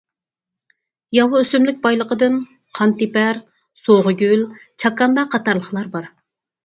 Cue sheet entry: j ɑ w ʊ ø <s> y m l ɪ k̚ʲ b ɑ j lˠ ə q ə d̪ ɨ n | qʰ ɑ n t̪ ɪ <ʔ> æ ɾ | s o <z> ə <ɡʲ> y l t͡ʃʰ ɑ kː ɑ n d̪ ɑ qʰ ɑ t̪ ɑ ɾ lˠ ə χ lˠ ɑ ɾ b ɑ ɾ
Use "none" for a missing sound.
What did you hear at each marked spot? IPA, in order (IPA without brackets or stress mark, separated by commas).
s, p, ʁ, ɡʲ